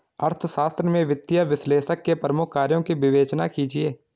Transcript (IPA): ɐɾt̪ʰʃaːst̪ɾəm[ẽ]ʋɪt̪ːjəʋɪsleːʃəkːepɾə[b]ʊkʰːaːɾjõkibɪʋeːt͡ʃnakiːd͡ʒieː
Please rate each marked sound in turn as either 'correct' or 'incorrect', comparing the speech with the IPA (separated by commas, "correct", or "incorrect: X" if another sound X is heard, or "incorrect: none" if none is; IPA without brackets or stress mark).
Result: correct, incorrect: m